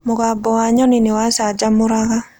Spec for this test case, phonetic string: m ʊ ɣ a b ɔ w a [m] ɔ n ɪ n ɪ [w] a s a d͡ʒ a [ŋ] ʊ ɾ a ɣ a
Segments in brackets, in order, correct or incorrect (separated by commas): incorrect, correct, incorrect